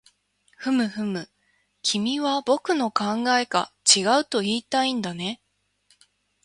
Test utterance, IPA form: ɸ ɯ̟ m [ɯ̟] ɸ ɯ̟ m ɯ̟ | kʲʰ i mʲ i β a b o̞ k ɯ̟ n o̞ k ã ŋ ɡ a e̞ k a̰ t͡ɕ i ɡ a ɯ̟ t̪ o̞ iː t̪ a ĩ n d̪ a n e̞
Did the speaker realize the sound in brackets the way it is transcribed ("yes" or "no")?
yes